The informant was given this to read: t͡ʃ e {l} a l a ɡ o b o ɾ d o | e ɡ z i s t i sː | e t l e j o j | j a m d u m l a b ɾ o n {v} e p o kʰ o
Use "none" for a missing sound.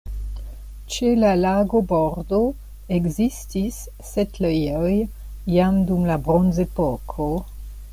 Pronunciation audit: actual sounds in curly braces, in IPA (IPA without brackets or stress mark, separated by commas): l, z